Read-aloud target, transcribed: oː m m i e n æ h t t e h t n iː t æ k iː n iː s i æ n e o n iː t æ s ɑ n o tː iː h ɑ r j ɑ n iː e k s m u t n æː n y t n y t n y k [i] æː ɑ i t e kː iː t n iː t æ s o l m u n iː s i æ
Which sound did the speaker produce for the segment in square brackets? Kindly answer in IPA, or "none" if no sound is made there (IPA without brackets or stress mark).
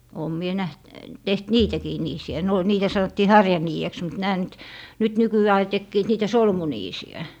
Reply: y